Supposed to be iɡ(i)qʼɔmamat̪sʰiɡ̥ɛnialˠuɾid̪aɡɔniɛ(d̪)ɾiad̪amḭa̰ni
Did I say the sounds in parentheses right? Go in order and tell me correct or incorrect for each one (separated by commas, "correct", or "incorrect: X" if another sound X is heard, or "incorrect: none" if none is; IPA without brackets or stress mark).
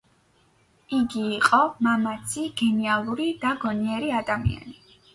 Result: incorrect: iː, incorrect: none